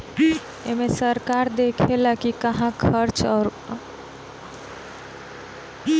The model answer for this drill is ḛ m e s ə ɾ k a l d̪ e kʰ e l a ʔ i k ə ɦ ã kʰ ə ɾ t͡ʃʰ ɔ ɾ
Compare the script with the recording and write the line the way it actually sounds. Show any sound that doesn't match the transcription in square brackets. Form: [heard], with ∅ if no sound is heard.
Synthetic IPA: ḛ m e s ə ɾ k a [ɾ] d̪ e kʰ e l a [k] i k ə ɦ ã kʰ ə ɾ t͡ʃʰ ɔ ɾ